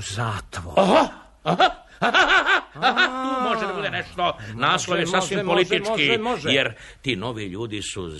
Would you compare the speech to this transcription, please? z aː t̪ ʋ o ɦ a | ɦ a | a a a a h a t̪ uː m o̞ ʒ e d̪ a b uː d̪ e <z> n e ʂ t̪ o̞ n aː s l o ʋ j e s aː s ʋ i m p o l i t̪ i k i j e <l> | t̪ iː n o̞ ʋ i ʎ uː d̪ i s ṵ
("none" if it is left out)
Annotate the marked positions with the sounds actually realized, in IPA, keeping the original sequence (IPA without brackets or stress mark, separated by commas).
none, ɾ